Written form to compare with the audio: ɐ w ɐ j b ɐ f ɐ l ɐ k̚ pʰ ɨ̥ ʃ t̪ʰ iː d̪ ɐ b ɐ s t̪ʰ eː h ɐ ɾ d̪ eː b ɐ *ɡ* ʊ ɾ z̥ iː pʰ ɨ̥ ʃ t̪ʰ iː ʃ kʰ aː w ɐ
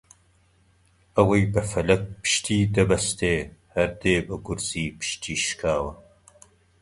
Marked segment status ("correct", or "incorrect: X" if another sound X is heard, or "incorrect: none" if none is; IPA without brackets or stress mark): correct